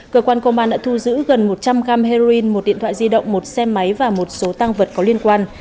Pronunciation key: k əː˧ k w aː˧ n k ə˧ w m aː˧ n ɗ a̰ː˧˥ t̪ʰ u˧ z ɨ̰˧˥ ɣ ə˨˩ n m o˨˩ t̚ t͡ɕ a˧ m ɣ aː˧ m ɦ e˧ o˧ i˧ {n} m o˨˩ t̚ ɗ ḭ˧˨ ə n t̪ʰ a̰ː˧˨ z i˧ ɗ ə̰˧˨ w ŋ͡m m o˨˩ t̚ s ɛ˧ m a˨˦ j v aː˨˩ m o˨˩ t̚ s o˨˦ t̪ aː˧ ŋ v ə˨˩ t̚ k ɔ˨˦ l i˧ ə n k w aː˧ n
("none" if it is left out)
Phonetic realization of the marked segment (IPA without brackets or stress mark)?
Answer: n